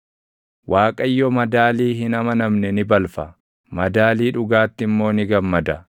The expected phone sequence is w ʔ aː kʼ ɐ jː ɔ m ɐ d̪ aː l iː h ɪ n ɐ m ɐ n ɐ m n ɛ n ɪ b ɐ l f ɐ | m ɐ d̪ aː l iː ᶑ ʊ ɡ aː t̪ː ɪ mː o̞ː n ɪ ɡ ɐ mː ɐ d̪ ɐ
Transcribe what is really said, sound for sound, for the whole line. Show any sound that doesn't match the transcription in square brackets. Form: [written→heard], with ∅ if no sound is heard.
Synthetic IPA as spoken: w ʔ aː kʼ ɐ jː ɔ m ɐ d̪ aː l iː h ɪ n ɐ m ɐ n ɐ m n ɛ n ɪ b ɐ l f ɐ | m ɐ d̪ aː l iː ᶑ ʊ ɡ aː t̪ː ɪ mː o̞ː n ɪ ɡ ɐ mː ɐ d̪ ɐ